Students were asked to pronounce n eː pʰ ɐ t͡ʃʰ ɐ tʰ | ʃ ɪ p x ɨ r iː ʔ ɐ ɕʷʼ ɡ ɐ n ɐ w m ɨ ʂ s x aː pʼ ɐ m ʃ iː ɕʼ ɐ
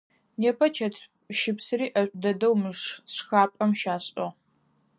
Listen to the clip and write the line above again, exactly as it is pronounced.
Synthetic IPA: n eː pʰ ɐ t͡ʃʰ ɐ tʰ | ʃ ɪ p s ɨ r iː ʔ ɐ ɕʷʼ d ɐ d ɐ w m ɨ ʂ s x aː pʼ ɐ m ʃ aː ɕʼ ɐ